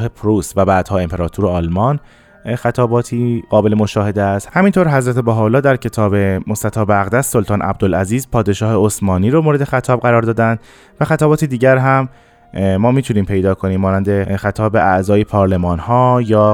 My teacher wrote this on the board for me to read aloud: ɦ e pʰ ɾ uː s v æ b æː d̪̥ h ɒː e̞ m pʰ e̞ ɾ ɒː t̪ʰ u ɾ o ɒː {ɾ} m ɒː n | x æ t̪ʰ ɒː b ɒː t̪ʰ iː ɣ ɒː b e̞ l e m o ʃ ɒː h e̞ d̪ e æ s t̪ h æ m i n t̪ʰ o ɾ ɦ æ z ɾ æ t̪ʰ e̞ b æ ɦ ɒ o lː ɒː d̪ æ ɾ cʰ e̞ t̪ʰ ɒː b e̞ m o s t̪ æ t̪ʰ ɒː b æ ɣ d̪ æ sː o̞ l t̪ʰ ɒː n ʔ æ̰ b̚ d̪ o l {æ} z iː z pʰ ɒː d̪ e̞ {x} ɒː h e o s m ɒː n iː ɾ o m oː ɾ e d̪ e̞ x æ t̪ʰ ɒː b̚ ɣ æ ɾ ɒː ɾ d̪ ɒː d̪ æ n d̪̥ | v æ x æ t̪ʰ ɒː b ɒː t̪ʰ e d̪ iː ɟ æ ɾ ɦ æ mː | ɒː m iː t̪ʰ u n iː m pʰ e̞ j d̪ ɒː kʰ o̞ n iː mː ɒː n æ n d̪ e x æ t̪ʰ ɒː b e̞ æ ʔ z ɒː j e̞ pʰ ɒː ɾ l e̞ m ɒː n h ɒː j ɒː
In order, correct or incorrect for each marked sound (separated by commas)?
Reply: incorrect, correct, incorrect